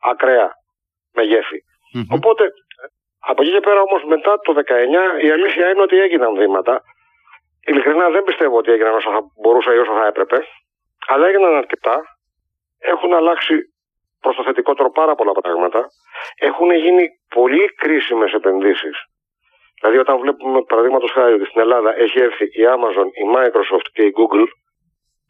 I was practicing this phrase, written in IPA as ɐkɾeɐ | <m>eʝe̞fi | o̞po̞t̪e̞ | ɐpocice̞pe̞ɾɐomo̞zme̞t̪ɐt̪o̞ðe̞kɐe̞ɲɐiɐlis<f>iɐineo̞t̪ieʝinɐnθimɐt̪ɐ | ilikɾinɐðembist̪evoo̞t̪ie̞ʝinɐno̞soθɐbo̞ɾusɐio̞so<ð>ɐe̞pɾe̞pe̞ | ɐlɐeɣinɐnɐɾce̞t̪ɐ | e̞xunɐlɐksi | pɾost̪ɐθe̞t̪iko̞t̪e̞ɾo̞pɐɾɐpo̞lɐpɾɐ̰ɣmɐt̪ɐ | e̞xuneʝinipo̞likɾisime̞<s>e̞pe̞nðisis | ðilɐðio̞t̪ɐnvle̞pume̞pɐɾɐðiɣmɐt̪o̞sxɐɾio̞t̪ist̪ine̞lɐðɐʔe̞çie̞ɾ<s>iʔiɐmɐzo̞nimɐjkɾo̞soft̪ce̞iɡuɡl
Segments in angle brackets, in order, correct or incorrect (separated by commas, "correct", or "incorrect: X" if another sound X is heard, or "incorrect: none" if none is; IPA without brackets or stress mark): correct, incorrect: θ, incorrect: θ, correct, incorrect: θ